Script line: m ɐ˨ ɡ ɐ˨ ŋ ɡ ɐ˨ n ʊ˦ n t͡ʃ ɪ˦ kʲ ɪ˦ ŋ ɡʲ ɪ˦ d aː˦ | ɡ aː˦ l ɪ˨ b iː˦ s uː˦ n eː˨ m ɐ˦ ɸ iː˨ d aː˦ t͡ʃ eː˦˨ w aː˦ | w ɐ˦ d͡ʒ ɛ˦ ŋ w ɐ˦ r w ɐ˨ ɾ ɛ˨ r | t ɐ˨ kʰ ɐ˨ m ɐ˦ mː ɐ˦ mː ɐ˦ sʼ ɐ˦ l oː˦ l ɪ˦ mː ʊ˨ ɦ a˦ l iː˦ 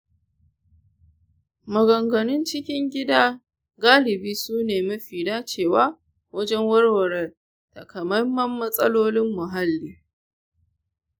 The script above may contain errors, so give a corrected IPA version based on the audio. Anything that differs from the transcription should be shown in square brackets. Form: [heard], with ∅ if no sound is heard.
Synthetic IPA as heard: m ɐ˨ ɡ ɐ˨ ŋ ɡ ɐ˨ n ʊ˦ n t͡ʃ ɪ˦ kʲ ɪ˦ ŋ ɡʲ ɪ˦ d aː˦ | ɡ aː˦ l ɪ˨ b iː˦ s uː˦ n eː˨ m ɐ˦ ɸ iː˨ d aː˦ t͡ʃ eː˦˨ w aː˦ | w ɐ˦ d͡ʒ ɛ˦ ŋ w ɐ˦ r w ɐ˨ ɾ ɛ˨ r | t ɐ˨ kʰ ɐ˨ m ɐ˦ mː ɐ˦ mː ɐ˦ sʼ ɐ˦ l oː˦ l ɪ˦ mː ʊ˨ ɦ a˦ [lː] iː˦

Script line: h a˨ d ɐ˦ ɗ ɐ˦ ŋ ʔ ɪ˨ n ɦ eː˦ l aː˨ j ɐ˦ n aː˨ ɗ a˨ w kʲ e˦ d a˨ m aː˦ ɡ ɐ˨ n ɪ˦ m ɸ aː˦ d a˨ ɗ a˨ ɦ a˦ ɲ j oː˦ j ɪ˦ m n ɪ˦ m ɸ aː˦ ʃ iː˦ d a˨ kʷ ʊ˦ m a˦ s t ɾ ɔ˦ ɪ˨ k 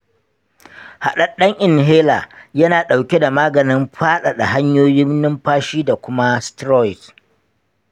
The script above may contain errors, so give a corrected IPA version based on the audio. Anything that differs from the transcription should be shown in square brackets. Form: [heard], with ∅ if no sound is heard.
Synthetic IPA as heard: h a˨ [ɗ] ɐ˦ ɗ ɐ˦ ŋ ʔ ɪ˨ n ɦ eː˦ l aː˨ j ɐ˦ n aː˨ ɗ a˨ w kʲ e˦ d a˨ m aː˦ ɡ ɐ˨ n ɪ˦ m ɸ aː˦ [ɗ] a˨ ɗ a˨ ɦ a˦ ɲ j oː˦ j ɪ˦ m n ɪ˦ m ɸ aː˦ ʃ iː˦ d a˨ kʷ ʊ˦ m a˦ s t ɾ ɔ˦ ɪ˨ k

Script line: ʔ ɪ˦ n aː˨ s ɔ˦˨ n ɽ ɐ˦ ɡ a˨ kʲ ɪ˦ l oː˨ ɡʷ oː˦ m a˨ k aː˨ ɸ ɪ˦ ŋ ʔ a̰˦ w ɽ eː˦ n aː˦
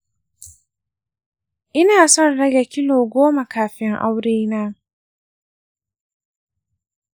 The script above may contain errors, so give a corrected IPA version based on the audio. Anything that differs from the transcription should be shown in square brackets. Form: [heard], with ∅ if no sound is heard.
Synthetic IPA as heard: ʔ ɪ˦ n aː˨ s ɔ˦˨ n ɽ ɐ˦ ɡ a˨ kʲ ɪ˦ l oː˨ ɡʷ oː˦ m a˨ k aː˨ ɸ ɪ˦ ŋ ʔ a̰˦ w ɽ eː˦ n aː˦

